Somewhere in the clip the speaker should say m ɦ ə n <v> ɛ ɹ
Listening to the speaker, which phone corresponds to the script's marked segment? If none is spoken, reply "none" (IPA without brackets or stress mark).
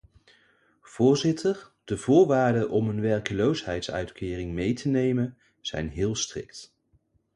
ʋ